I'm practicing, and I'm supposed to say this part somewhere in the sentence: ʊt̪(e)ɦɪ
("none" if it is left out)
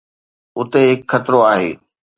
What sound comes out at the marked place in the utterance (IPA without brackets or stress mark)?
e